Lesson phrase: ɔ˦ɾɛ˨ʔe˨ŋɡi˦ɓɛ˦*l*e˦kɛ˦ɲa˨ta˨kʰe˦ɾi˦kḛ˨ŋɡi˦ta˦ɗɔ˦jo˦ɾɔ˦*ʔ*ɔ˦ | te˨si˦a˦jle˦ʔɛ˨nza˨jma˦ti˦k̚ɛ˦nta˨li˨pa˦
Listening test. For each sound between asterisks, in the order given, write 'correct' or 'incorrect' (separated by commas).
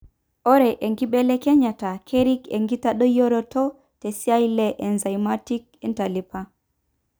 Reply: correct, incorrect